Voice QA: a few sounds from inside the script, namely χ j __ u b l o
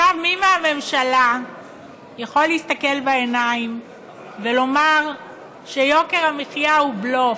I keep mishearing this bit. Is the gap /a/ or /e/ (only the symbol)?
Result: a